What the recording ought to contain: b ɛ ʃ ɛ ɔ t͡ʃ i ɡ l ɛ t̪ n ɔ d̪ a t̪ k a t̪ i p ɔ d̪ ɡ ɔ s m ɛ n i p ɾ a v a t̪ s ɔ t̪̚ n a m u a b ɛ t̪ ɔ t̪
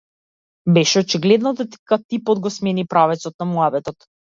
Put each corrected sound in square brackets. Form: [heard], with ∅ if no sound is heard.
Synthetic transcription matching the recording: b ɛ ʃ ɛ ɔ t͡ʃ i ɡ l ɛ [d̪] n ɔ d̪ a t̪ k a t̪ i p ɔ d̪ ɡ ɔ s m ɛ n i p ɾ a v [ɛ] t̪ s ɔ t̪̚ n a m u a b ɛ t̪ ɔ t̪